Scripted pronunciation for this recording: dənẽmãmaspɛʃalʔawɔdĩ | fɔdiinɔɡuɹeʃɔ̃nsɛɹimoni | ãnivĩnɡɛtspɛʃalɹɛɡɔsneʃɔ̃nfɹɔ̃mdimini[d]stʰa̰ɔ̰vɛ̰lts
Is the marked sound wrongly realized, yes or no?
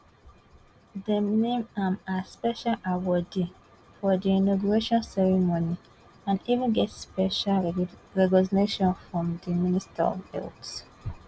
yes